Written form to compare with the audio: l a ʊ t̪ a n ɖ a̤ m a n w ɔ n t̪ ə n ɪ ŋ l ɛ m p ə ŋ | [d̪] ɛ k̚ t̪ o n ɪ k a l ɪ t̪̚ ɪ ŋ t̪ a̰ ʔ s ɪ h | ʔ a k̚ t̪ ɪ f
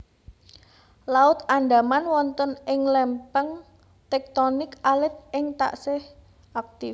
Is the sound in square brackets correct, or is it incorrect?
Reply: incorrect